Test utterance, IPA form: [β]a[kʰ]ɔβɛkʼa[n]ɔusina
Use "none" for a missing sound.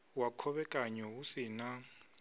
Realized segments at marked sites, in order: w, kʰ, ɲ

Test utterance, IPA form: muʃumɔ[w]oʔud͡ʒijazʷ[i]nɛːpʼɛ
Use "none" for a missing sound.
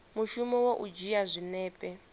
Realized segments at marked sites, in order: w, i

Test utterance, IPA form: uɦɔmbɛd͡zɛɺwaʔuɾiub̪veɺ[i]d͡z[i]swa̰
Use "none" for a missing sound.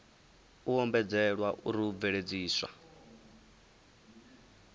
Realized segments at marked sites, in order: e, iː

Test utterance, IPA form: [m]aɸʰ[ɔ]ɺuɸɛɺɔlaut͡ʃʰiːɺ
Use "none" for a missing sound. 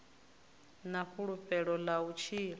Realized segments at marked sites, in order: n, u

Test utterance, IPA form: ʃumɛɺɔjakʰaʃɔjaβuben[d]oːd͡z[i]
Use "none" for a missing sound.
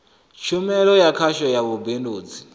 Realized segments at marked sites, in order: d, i

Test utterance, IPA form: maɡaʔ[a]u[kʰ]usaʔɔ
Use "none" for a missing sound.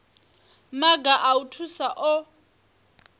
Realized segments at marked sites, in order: a, tʰ

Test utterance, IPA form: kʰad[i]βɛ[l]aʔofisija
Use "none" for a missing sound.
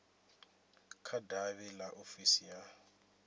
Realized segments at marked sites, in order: a, l

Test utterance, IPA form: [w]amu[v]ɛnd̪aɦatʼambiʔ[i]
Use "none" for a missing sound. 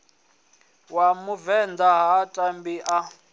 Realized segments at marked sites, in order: w, v, a

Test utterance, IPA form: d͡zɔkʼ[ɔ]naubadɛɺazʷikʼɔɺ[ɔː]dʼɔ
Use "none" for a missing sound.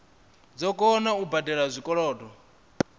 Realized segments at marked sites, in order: ɔ, ɔː

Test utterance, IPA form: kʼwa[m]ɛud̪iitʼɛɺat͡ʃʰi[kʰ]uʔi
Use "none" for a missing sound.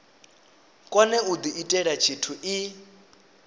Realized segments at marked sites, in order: n, tʰ

